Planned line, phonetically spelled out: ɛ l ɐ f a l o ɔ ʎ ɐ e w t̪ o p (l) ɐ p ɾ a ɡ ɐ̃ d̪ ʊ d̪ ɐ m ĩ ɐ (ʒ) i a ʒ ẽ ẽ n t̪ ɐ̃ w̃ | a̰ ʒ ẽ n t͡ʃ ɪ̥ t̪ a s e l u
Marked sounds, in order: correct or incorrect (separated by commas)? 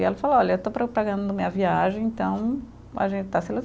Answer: incorrect, incorrect